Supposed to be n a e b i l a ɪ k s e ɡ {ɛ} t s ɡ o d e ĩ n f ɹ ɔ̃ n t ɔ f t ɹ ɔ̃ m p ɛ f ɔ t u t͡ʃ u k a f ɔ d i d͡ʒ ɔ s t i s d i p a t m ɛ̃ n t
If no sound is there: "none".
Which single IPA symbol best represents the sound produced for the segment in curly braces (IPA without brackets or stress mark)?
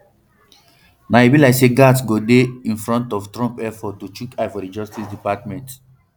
a